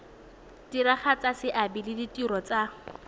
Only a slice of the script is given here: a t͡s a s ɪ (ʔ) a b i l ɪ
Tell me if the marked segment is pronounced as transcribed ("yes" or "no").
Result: yes